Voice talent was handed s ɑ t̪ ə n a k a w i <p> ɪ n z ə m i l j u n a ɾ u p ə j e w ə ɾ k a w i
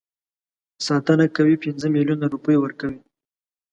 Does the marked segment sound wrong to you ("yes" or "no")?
no